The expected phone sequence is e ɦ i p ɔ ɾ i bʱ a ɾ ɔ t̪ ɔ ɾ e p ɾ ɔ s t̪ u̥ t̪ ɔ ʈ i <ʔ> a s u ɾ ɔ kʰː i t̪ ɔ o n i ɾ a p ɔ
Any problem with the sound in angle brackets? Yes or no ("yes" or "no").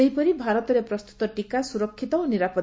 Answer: yes